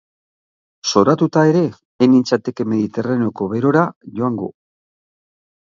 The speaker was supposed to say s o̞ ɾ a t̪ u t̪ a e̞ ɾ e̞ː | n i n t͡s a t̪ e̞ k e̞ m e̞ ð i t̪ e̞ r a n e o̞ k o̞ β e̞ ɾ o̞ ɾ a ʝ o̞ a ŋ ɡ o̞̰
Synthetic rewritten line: s o̞ ɾ a t̪ u t̪ a e̞ ɾ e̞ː | n i n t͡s a t̪ e̞ k e̞ m e̞ ð i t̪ e̞ r a n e o̞ k o̞ β e̞ ɾ o̞ ɾ a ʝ o̞ a ŋ ɡ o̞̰